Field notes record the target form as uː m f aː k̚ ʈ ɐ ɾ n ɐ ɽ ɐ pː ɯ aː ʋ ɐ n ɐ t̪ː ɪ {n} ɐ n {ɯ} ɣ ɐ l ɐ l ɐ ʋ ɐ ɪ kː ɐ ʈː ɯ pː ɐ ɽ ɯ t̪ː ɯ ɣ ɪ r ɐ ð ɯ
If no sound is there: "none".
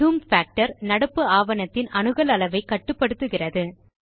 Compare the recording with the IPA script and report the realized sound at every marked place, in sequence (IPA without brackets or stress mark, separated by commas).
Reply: n, ɯ